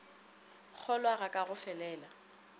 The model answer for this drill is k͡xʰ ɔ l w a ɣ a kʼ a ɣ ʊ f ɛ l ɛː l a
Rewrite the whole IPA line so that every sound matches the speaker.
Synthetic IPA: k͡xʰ ɔ l w a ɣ a kʼ a ɣ ʊ f ɛ l ɛː l a

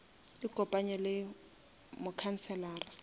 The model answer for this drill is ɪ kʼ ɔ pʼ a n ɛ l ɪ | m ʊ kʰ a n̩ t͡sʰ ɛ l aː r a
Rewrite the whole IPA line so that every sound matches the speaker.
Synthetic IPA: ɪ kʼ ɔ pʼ a ɲ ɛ l ɪ | m ʊ kʰ a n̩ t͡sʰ ɛ l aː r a

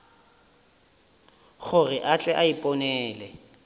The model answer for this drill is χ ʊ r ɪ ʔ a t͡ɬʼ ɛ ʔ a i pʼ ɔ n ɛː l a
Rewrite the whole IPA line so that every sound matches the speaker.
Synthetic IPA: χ ʊ r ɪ ʔ a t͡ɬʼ ɛ ʔ a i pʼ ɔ n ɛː l ɛ

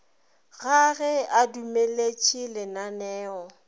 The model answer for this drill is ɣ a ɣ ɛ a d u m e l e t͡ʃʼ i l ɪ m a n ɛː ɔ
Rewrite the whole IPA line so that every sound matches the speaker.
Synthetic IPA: ɣ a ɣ ɛ a d u m e l e t͡ʃʼ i l ɪ n a n ɛː ɔ

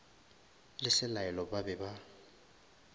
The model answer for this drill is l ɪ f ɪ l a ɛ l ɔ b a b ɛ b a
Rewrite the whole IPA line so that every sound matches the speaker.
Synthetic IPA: l ɪ s ɪ l a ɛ l ɔ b a b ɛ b a

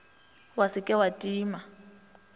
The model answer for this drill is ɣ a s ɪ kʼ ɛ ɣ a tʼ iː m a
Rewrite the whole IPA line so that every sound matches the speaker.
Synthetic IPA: w a s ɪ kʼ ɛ w a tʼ iː m a

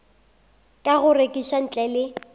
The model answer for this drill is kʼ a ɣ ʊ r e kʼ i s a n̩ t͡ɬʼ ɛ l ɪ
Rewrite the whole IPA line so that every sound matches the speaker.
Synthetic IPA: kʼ a ɣ ʊ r e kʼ i ʃ a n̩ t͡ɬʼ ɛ l ɪ

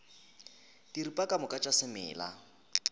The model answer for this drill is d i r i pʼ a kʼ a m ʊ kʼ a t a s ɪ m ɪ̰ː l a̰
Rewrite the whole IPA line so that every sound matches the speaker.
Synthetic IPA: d i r i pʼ a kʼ a m ʊ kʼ a t͡ʃʼ a s ɪ m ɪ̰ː l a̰

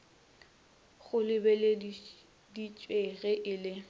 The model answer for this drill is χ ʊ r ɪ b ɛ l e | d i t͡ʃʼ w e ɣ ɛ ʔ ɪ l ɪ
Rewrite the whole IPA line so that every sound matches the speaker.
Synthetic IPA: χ ʊ l ɪ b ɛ l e | d i t͡ʃʼ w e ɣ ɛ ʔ ɪ l ɪ

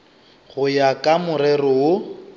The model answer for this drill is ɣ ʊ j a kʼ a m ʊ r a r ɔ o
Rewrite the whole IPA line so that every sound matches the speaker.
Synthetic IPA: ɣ ʊ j a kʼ a m ʊ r ɛ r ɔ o

